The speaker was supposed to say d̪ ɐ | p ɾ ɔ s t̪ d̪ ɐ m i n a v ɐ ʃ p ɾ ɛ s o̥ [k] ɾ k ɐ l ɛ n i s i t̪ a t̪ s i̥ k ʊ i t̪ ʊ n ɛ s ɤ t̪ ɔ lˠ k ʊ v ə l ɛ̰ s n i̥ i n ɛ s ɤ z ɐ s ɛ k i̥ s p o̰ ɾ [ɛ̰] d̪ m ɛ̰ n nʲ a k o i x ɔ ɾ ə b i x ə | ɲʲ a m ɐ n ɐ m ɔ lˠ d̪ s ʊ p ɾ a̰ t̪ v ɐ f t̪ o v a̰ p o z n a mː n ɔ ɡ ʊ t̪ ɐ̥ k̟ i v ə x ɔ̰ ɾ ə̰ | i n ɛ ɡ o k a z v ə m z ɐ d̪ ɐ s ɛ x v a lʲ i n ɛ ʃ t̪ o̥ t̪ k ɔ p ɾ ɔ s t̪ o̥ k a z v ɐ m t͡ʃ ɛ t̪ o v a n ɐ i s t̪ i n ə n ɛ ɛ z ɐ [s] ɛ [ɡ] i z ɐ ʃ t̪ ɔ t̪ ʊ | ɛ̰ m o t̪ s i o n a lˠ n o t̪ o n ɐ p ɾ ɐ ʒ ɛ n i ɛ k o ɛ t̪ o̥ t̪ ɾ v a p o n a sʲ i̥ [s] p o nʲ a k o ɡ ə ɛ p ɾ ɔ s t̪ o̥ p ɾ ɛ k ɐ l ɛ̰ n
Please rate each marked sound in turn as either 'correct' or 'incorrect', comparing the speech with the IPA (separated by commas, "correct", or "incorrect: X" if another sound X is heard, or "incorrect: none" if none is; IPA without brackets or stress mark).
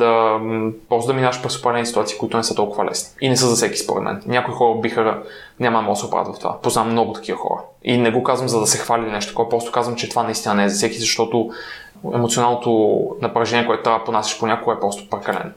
incorrect: p, correct, correct, incorrect: k, incorrect: ʃ